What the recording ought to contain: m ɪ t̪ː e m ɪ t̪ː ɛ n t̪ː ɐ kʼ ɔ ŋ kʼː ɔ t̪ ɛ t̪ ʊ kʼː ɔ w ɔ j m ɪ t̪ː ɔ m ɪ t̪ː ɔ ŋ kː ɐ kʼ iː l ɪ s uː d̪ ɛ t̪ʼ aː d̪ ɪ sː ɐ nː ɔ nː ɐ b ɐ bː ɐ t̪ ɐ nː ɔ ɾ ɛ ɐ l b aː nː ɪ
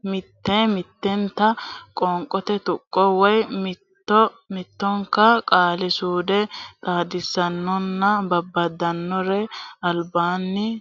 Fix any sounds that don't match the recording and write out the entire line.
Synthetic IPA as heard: m ɪ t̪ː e m ɪ t̪ː ɛ n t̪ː ɐ kʼ ɔ ŋ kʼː ɔ t̪ ɛ t̪ ʊ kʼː ɔ w ɔ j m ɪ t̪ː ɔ m ɪ t̪ː ɔ ŋ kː ɐ kʼ aː l ɪ s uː d̪ ɛ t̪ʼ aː d̪ ɪ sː ɐ nː ɔ nː ɐ b ɐ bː ɐ d̪ ɐ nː ɔ ɾ ɛ ɐ l b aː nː ɪ